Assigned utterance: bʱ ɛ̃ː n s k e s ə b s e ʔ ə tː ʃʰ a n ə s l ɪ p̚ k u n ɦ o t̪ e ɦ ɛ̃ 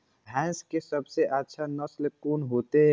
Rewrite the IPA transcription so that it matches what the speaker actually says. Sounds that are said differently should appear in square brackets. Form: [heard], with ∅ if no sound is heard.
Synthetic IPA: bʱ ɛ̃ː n s k e s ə b s e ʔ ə tː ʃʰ a n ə s l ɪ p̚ k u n ɦ o t̪ e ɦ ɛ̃